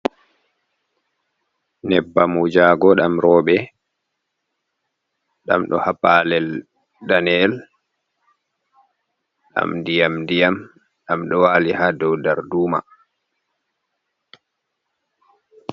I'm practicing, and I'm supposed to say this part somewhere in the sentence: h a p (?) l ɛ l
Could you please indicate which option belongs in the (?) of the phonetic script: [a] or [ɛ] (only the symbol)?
a